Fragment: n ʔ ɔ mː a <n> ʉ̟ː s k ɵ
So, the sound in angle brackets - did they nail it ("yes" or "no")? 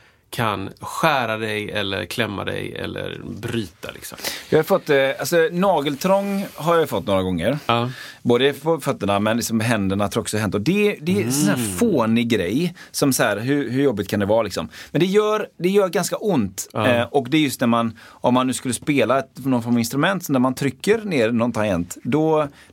no